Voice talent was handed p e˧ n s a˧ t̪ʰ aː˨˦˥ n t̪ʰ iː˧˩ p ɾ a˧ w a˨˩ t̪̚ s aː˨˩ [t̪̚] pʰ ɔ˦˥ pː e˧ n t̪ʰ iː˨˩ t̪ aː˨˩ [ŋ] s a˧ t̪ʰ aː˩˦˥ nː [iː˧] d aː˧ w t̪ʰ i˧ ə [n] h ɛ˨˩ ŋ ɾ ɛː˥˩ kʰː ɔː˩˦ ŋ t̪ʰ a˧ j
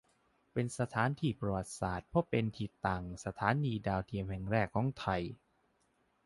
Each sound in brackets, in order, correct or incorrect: correct, correct, correct, incorrect

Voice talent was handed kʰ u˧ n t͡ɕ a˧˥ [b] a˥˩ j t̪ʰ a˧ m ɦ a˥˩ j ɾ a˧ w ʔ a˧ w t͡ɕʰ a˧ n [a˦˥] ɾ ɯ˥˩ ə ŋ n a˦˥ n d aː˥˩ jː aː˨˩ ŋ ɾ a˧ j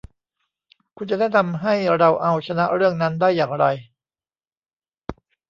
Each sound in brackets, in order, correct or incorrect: incorrect, correct

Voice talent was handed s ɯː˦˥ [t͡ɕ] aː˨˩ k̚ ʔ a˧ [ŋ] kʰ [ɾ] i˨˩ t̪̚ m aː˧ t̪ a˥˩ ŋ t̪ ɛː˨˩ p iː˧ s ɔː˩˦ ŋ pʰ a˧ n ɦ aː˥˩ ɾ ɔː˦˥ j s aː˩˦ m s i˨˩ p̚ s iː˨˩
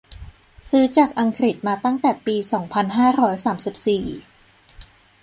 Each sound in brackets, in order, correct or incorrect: correct, correct, correct

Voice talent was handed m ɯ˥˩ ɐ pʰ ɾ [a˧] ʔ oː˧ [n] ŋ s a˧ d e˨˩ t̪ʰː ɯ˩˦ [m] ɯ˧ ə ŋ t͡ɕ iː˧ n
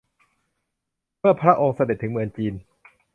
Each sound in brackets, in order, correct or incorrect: incorrect, incorrect, correct

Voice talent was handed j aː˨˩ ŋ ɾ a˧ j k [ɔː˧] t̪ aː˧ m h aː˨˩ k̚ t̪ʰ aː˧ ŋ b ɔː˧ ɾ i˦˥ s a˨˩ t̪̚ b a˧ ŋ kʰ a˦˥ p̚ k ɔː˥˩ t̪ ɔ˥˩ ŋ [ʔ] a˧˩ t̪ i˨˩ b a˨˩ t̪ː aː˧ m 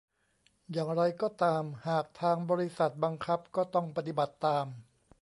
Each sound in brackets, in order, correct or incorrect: incorrect, incorrect

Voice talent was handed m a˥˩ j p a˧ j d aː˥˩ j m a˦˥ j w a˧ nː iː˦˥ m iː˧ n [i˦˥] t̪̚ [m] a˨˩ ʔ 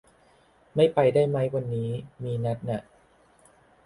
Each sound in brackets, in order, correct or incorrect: incorrect, incorrect

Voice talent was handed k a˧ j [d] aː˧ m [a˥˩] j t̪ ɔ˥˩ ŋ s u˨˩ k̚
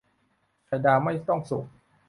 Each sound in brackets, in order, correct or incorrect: correct, correct

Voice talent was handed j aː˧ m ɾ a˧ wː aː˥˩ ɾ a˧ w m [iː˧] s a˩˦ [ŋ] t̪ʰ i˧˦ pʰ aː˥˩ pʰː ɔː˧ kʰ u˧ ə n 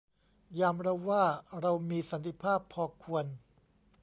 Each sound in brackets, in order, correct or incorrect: correct, incorrect

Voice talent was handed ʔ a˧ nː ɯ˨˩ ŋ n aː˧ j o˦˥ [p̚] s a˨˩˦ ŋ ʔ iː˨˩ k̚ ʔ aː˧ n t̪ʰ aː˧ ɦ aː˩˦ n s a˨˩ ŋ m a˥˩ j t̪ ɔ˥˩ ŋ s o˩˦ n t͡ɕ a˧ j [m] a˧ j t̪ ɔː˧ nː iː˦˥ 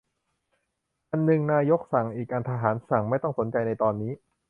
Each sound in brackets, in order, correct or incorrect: incorrect, incorrect

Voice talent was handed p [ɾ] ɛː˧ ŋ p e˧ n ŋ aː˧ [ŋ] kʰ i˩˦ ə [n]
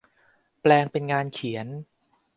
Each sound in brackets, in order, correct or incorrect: incorrect, incorrect, correct

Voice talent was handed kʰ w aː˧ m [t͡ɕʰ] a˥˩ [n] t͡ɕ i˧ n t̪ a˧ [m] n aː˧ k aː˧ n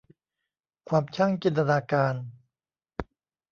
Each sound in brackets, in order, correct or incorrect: correct, incorrect, incorrect

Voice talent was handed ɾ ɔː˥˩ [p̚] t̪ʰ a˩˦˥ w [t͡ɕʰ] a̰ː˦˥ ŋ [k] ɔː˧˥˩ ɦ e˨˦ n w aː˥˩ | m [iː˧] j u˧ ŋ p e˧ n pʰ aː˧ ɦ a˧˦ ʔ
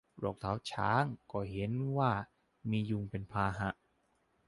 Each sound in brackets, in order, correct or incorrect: incorrect, correct, correct, correct

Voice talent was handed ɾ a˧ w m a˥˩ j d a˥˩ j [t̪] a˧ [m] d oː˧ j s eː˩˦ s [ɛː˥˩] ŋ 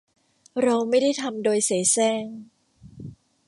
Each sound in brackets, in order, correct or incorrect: incorrect, correct, correct

